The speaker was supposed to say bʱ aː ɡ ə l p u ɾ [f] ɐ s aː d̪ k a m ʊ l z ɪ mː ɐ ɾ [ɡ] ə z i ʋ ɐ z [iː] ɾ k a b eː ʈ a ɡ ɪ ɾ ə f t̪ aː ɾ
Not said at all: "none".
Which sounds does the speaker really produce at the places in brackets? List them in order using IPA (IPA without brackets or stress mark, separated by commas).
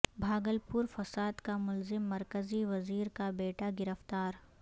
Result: f, k, iː